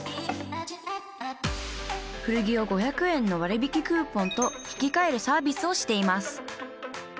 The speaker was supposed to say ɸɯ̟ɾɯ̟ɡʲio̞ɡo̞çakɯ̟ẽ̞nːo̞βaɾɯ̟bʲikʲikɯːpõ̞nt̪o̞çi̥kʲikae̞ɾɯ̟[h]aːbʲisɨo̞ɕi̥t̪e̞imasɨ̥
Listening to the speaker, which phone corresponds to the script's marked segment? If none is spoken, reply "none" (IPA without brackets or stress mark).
s